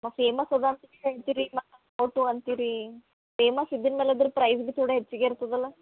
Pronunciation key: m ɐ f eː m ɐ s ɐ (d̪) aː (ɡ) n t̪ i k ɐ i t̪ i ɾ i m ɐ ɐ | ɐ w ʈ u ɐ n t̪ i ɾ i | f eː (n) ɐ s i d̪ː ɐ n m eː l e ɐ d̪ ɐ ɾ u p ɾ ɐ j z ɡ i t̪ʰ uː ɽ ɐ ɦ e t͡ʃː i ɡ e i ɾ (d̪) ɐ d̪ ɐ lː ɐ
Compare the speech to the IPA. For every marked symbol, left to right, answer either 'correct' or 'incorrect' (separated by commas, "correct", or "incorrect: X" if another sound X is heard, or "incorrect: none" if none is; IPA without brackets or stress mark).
correct, incorrect: none, incorrect: m, incorrect: t̪